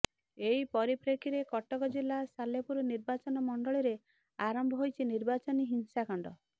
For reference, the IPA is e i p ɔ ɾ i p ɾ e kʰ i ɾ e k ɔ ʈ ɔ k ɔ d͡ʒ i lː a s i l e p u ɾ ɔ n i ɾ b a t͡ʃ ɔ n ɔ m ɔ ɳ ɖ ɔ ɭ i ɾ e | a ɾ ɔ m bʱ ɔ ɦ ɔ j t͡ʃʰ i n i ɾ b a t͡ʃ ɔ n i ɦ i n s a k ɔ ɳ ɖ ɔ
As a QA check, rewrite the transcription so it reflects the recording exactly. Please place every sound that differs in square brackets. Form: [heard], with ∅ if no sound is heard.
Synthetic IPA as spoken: e i p ɔ ɾ i p ɾ e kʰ i ɾ e k ɔ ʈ ɔ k ɔ d͡ʒ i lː a s [a] l e p u ɾ ɔ n i ɾ b a t͡ʃ ɔ n ɔ m ɔ ɳ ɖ ɔ ɭ i ɾ e | a ɾ ɔ m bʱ ɔ ɦ [o] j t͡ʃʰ i n i ɾ b a t͡ʃ ɔ n i ɦ i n s a k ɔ ɳ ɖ ɔ